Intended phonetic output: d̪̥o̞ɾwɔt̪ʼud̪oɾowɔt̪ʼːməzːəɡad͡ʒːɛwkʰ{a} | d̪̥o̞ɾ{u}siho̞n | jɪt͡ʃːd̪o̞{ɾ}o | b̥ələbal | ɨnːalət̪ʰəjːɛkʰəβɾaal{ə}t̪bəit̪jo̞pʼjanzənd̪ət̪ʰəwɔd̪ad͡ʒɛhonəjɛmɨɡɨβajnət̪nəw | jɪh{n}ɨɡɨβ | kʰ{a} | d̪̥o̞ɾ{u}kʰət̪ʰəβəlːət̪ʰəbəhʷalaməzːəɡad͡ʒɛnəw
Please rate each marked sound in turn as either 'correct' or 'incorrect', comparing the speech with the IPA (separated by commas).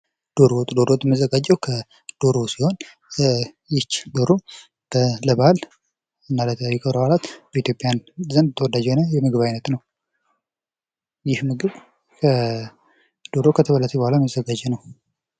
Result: incorrect, incorrect, correct, incorrect, incorrect, incorrect, incorrect